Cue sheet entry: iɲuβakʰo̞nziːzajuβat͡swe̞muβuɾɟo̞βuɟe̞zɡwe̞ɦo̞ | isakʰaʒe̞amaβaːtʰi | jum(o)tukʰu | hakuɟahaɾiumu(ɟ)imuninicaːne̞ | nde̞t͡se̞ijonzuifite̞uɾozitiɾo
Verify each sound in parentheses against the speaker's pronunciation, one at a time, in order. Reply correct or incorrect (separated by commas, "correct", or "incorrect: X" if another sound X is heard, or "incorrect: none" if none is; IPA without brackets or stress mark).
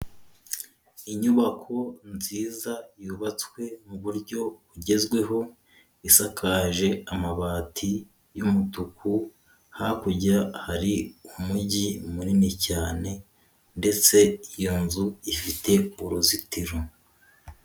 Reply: incorrect: u, correct